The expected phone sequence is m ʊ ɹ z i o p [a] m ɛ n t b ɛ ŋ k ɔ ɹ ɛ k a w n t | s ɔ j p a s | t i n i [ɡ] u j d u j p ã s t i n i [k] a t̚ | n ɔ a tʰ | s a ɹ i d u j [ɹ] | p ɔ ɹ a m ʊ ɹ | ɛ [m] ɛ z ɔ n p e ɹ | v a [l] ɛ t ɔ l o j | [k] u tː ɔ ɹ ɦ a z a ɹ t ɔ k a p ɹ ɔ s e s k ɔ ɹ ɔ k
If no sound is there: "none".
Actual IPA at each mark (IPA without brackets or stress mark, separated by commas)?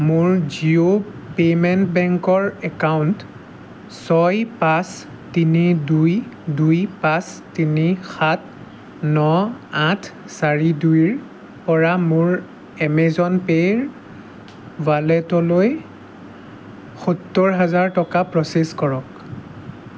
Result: e, d, x, ɹ, m, l, x